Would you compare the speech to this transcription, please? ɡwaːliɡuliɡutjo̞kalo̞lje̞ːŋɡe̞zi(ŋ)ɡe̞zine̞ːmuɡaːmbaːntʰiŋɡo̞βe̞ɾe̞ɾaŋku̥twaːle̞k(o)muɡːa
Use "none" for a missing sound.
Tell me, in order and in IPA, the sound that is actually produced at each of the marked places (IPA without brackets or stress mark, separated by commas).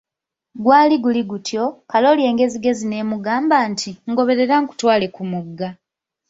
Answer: none, u